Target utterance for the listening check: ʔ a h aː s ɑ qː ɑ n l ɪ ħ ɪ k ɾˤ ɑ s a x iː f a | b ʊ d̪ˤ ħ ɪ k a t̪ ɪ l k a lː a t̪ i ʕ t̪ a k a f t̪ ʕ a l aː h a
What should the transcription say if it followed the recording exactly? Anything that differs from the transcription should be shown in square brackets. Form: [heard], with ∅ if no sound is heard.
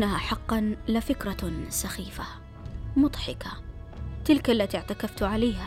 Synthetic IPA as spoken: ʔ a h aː [ħ] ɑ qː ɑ n l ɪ [f] ɪ k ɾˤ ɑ s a x iː f a | [m] ʊ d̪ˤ ħ ɪ k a t̪ ɪ l k a lː a t̪ i ʕ t̪ a k a f t̪ ʕ a l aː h a